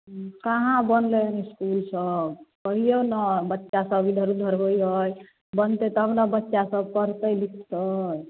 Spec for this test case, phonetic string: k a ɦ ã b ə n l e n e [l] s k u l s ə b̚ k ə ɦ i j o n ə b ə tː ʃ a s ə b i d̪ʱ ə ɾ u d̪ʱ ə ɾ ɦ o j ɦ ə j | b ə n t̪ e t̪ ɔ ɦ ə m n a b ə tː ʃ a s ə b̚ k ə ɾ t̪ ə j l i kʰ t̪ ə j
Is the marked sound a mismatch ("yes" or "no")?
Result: yes